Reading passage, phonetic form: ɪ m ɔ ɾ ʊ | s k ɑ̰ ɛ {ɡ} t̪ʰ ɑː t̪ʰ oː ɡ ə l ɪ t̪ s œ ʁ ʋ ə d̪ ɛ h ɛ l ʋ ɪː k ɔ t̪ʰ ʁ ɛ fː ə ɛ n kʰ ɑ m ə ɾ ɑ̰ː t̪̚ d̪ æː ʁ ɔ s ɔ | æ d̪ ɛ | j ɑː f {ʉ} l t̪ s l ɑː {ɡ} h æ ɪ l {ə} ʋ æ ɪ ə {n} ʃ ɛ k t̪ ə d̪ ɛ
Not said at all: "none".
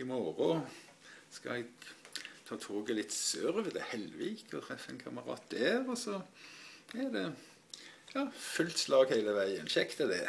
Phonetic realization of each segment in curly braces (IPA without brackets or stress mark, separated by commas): ɡ, ʉ, ɡ, ə, n